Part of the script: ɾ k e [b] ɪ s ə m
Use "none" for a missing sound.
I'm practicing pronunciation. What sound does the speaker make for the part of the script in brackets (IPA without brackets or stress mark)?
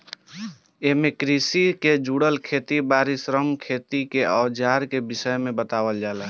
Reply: b